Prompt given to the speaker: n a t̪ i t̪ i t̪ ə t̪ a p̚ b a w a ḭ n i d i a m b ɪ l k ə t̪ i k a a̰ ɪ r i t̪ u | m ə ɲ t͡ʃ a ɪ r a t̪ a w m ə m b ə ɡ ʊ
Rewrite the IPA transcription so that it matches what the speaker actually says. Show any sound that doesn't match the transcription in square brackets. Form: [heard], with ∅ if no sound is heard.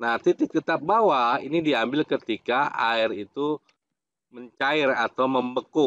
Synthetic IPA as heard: n a t̪ i t̪ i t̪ ə t̪ a p̚ b a w a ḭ n i d i a m b ɪ l k ə t̪ i k a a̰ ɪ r i t̪ u | m ə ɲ t͡ʃ a ɪ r a t̪ a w m ə m b ə [k] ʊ